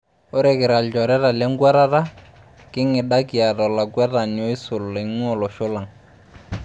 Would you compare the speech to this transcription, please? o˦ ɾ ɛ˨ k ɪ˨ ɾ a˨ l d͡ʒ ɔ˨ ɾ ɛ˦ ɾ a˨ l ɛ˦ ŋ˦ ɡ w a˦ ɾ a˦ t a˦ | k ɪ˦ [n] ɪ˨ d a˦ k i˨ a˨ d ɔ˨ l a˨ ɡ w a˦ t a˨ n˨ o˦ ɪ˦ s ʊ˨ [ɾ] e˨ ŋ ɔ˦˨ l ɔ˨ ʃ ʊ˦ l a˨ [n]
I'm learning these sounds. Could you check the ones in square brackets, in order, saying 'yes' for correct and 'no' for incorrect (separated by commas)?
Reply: no, no, no